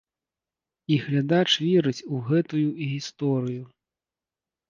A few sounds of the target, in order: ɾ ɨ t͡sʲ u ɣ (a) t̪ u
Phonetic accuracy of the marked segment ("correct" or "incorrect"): incorrect